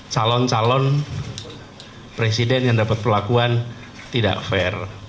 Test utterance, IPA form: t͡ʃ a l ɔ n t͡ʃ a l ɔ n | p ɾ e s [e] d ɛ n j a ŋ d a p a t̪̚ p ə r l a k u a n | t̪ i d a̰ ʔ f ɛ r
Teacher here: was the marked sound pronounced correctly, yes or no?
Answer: no